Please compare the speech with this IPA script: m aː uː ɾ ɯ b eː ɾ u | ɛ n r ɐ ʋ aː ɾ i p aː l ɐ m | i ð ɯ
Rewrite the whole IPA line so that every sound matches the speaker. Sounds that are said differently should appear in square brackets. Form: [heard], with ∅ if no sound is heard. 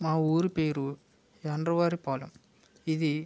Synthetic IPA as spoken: m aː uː ɾ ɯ [p] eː ɾ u | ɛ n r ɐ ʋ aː ɾ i p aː l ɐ m | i ð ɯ